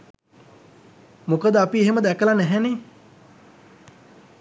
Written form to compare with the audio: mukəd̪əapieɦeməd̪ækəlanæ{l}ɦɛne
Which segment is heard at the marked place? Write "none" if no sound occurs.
none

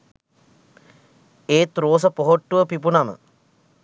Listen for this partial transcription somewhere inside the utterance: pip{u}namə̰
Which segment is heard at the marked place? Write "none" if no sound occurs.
u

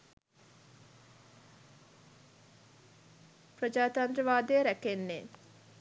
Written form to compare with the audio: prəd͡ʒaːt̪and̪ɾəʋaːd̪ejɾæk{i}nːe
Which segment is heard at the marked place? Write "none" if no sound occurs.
e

